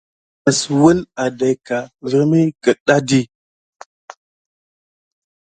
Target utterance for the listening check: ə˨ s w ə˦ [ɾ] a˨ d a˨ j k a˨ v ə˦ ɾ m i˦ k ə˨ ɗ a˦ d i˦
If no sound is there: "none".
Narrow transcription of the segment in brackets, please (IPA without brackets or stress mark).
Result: l